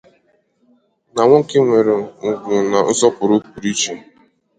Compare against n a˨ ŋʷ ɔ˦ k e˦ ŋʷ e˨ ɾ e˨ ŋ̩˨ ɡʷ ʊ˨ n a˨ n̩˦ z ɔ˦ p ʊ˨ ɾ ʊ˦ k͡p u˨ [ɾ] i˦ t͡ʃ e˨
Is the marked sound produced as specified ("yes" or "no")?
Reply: yes